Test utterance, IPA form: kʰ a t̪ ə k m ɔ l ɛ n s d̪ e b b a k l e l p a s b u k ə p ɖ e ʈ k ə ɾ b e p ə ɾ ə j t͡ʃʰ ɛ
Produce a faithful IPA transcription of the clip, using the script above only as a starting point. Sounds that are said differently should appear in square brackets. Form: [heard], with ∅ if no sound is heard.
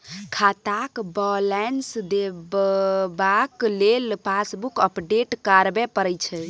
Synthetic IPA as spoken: kʰ a t̪ [a] k [b] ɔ l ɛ n s d̪ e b b a k l e l p a s b u k ə p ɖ e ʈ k [a] ɾ b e p ə ɾ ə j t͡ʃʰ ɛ